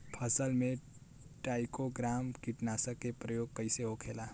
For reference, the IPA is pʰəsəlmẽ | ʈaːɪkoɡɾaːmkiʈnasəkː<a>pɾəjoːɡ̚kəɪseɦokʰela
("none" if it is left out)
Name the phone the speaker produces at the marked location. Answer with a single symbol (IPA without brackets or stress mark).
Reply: e